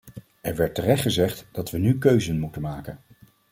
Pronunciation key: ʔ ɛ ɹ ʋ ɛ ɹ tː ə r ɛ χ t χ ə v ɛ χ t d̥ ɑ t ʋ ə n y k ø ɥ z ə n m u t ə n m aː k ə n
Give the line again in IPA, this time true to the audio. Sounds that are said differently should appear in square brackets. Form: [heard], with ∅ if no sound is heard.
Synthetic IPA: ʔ ɛ ɹ ʋ ɛ ɹ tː ə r ɛ χ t χ ə [z] ɛ χ t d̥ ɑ t ʋ ə n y k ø ɥ z ə n m u t ə n m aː k ə n